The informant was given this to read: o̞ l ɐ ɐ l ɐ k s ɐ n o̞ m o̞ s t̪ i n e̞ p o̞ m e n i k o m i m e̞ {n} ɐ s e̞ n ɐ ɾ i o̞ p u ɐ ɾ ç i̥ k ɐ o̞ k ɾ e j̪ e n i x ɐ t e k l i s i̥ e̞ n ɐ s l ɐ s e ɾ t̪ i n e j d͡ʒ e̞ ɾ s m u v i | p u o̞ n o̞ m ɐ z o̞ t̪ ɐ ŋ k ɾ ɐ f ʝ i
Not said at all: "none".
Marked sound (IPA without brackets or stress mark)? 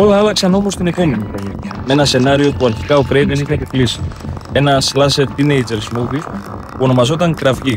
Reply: n